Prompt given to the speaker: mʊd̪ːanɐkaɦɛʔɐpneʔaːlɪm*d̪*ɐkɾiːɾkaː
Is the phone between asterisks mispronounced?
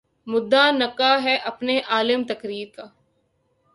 yes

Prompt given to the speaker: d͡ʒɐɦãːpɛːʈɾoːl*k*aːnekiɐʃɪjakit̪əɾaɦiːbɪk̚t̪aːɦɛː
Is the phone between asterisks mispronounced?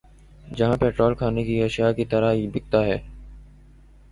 yes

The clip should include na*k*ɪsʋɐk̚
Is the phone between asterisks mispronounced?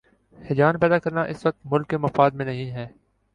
yes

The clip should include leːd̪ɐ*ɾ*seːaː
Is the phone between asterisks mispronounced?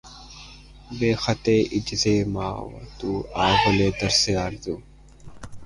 no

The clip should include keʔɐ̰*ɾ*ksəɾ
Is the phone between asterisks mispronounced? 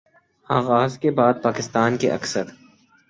yes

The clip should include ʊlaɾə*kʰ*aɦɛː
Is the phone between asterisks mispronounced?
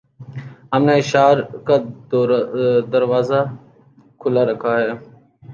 no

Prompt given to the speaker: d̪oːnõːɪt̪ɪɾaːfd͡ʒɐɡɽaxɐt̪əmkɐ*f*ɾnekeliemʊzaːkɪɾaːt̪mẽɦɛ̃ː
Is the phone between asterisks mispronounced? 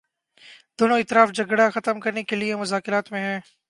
yes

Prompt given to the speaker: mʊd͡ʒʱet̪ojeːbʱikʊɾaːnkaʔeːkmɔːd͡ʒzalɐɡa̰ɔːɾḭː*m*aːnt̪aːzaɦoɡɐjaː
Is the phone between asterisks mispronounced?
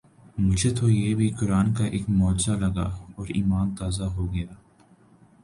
no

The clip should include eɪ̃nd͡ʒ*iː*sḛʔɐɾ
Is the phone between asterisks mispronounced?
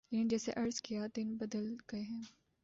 yes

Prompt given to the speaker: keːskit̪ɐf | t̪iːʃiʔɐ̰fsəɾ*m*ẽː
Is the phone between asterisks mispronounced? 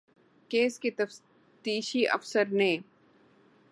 yes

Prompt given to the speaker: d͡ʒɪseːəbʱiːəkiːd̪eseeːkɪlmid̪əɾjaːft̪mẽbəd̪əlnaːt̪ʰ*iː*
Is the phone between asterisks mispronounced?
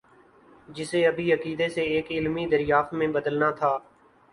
yes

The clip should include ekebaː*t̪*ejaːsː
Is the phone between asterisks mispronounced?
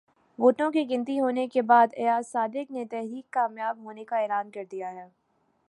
yes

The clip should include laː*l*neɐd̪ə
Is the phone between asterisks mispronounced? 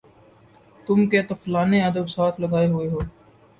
yes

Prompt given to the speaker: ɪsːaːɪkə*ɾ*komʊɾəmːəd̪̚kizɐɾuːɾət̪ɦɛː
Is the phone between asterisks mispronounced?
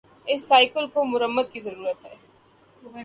yes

